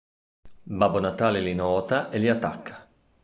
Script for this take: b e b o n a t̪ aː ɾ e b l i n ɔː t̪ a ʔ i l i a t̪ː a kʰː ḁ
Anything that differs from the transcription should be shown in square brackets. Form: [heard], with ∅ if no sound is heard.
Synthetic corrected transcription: b [a] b o n a t̪ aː [l] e [∅] l i n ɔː t̪ a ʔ [e] l i a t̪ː a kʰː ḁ

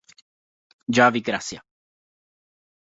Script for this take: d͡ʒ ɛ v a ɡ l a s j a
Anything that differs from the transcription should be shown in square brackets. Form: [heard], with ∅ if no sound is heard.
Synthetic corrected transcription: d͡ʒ [a] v [i] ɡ [ɾ] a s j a

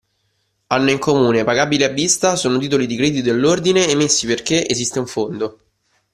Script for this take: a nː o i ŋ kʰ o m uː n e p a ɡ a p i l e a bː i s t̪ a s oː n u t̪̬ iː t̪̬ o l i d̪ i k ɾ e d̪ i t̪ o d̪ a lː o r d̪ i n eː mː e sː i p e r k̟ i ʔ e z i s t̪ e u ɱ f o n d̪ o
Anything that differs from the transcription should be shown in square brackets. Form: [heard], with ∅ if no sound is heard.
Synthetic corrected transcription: a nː o i ŋ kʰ o m uː n e p a ɡ a [b] i l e a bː i s t̪ a s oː n [o] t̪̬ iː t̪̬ o l i d̪ i k ɾ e d̪ i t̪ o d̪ [e] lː o r d̪ i n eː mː e sː i p e r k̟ [e] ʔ e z i s t̪ e u ɱ f o n d̪ o

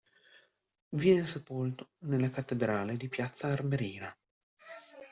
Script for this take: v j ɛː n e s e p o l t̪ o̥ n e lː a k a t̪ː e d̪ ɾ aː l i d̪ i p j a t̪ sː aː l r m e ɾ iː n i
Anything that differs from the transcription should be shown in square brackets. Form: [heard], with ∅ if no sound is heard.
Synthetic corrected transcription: v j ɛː n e s e p o l t̪ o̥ n e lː a k a t̪ː e d̪ ɾ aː l [e] d̪ i p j a t̪ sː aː [∅] r m e ɾ iː n [a]

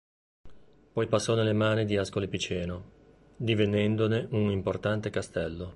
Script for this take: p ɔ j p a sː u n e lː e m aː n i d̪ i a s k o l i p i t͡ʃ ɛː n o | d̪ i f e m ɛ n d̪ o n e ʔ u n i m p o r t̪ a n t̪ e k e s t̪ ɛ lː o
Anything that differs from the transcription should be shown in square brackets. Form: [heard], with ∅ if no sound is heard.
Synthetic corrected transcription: p ɔ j p a sː [ɔ] n e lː e m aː n i d̪ i a s k o l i p i t͡ʃ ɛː n o | d̪ i [v] e [n] ɛ n d̪ o n e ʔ u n i m p o r t̪ a n t̪ e k [a] s t̪ ɛ lː o

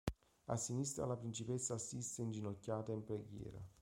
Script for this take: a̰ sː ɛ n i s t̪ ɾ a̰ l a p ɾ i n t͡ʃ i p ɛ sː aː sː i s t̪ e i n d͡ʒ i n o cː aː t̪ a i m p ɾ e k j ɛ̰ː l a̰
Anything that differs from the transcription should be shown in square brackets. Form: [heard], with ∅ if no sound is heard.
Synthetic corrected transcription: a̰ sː [i] n i s t̪ ɾ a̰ l a p ɾ i n t͡ʃ i p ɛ sː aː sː i s t̪ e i n d͡ʒ i n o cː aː t̪ a i m p ɾ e [ɡ] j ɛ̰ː [ɾ] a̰

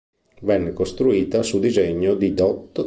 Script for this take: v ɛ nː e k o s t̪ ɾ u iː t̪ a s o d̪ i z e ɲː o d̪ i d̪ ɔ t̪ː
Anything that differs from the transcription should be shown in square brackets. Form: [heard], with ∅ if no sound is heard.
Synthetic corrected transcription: v ɛ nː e k o s t̪ ɾ u iː t̪ a s [u] d̪ i z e ɲː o d̪ i d̪ ɔ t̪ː

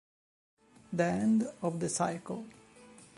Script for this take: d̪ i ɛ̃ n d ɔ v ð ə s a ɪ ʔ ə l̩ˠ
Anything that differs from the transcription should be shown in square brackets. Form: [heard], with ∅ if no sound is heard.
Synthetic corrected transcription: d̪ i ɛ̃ n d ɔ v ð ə s a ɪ [k] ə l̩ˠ

